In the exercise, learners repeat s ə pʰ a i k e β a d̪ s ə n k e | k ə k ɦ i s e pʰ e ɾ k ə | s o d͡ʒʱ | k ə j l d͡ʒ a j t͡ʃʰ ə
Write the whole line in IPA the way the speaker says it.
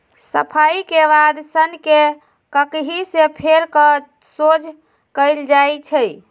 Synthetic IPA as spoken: s ə pʰ a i k e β a d̪ s ə n k e | k ə k ɦ i s e pʰ e ɾ k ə | s o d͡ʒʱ | k ə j l d͡ʒ a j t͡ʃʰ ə